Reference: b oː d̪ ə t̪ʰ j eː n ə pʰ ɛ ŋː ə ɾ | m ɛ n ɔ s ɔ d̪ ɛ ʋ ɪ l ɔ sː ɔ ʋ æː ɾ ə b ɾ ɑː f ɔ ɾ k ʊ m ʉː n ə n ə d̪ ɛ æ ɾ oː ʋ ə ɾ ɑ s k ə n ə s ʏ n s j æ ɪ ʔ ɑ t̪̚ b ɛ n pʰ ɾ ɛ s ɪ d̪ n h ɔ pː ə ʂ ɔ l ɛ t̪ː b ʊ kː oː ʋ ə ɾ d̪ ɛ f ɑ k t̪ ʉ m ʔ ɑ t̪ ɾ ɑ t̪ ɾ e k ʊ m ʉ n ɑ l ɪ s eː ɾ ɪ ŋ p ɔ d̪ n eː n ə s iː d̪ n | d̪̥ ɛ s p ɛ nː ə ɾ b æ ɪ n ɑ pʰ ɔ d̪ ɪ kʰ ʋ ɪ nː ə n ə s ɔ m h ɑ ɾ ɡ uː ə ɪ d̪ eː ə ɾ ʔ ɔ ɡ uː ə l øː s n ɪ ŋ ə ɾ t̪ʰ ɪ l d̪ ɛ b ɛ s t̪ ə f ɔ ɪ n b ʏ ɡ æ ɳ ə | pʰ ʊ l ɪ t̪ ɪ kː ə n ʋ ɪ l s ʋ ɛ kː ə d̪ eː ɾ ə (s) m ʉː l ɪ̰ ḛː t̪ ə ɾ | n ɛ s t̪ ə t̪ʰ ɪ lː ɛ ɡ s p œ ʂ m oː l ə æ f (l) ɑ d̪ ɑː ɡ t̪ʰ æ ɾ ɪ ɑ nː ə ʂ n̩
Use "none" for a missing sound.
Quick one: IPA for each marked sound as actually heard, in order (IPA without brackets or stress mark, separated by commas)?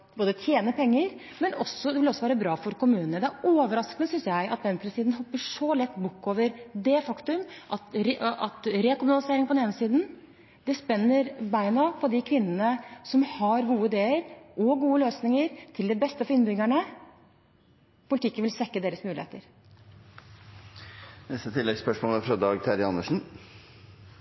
s, ɾ